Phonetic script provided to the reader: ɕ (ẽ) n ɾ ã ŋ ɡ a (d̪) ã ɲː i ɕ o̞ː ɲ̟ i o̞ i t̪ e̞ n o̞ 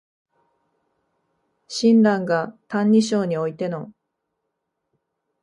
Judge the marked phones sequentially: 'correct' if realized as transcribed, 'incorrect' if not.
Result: incorrect: ĩ, incorrect: t̪

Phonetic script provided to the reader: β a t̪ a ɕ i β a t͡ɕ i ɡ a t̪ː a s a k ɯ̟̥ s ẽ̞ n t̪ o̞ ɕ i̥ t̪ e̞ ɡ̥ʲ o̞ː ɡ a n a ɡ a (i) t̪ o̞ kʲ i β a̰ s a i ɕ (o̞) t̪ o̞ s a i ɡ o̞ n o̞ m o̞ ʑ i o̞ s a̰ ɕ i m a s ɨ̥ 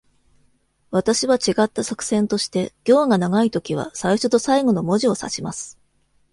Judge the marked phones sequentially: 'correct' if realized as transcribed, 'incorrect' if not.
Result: correct, correct

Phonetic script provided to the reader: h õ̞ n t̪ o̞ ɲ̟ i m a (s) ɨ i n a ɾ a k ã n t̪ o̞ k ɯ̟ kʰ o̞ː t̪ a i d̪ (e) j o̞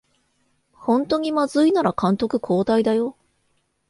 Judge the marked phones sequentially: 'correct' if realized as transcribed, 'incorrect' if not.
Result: incorrect: z, incorrect: a

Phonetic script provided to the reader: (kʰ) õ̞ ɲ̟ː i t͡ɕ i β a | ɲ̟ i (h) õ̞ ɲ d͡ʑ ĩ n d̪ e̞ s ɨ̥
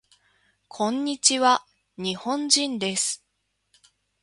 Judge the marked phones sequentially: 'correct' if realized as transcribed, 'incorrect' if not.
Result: correct, correct

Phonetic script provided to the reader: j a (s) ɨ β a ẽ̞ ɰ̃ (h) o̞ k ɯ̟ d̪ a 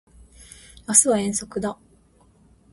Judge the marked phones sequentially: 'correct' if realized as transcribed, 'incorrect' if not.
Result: correct, incorrect: s

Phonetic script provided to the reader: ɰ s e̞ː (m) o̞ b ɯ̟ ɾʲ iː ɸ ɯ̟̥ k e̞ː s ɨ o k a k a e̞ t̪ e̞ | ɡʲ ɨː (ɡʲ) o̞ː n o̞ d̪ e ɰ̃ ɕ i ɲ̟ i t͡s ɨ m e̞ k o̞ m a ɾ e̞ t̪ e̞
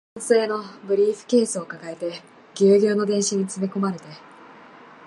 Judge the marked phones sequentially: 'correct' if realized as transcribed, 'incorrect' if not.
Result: incorrect: n, correct

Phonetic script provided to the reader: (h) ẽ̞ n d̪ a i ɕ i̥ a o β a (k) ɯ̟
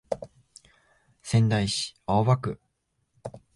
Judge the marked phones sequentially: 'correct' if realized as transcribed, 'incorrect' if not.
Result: incorrect: s, correct

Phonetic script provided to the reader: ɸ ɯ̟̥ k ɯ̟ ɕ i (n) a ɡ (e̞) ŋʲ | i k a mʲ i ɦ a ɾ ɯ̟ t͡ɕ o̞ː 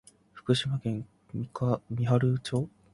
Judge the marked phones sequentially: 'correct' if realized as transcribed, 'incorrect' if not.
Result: incorrect: m, incorrect: ẽ̞

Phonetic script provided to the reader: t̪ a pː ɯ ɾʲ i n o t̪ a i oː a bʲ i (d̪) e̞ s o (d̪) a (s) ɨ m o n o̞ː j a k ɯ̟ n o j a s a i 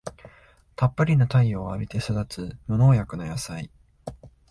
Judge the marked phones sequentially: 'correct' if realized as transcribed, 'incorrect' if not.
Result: incorrect: t̪, correct, incorrect: t͡s

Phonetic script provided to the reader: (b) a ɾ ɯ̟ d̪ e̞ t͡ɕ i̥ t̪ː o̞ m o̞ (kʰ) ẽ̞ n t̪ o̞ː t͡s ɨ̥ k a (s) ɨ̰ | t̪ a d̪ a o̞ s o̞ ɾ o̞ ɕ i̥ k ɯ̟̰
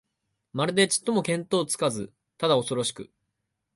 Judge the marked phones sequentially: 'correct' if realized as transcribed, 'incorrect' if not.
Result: incorrect: m, incorrect: k, incorrect: z

